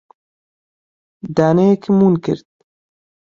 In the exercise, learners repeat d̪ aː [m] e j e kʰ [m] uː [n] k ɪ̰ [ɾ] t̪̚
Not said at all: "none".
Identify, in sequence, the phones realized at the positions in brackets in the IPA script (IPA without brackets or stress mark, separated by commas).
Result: n, m, n, ɾ